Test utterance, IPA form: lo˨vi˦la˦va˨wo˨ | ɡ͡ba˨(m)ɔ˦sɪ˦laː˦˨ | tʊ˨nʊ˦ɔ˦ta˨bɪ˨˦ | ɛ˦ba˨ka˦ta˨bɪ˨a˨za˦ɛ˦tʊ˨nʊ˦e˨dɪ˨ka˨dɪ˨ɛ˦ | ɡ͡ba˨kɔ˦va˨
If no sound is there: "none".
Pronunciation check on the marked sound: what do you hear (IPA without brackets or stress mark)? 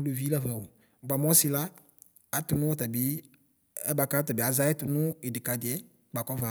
m